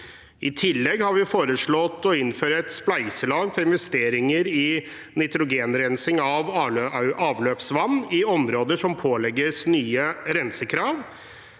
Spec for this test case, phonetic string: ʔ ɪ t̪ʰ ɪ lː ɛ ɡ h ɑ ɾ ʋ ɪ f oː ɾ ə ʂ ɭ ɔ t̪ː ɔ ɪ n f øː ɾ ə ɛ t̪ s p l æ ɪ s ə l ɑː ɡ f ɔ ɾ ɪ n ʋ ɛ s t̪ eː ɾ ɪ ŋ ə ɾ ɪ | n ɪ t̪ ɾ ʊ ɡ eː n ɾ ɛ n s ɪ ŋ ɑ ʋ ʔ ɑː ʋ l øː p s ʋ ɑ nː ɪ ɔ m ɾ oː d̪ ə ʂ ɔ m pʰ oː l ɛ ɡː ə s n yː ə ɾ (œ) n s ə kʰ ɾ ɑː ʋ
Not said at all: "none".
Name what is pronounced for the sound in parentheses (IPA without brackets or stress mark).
ɛ